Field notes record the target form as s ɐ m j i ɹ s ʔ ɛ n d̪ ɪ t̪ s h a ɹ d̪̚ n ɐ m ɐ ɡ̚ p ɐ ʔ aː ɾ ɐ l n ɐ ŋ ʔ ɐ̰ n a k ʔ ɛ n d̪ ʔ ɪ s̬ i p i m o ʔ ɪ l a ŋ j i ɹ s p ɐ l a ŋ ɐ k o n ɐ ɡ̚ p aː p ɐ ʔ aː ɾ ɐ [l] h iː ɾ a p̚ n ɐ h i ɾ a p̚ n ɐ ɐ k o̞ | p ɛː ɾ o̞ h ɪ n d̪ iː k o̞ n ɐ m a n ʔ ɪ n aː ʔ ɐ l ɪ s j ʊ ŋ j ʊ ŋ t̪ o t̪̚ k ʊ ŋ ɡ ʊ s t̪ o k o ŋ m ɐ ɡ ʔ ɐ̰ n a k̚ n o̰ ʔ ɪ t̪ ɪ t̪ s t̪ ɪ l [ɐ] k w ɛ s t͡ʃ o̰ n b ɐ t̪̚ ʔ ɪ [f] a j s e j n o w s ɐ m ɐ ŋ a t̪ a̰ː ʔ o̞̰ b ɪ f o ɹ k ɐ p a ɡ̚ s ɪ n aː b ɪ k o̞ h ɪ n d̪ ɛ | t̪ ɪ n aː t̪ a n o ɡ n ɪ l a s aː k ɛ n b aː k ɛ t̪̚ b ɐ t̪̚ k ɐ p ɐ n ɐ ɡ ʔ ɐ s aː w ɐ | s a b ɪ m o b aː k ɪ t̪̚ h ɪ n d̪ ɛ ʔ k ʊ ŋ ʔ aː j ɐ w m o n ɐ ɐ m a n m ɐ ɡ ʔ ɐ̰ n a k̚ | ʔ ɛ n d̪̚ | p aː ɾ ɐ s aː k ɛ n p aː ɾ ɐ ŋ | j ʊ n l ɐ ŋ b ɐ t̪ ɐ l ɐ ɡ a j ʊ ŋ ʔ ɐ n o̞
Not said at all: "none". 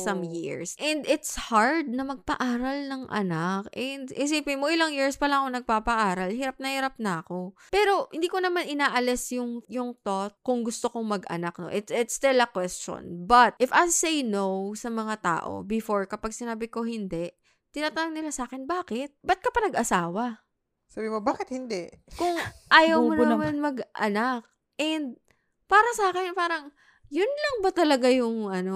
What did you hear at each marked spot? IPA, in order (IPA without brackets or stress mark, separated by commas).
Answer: l, ɐ, f